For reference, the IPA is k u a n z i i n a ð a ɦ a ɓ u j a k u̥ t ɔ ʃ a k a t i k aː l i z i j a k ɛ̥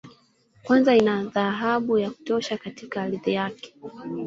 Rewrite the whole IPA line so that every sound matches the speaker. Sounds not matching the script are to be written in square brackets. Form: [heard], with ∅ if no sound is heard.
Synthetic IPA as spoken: k [w] a n z [a] i n a ð a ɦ a ɓ u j a k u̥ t ɔ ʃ a k a t i k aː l i [ð] i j a k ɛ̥